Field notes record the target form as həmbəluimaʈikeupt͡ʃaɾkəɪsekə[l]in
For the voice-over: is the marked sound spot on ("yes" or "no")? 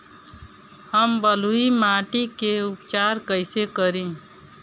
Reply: no